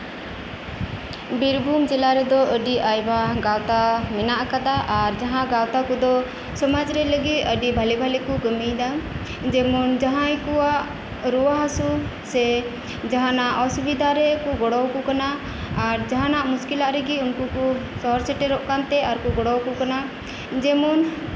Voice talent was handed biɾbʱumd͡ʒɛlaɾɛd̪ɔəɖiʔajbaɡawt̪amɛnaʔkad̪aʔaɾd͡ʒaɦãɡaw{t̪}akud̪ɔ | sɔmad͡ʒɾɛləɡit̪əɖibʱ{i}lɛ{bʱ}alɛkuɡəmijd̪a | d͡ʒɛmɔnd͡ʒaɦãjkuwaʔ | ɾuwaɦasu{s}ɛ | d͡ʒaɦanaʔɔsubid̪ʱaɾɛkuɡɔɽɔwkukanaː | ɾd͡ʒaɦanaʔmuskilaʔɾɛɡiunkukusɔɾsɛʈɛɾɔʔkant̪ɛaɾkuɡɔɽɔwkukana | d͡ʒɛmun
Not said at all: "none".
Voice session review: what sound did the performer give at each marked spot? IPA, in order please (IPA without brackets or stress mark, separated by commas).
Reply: t̪, a, bʱ, s